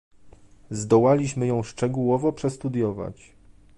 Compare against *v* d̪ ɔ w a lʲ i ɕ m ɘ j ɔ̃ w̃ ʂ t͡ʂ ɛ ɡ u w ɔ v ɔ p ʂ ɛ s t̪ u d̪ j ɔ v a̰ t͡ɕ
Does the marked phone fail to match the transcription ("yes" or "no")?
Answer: yes